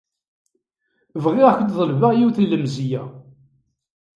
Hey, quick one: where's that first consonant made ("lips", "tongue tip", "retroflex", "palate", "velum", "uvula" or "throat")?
lips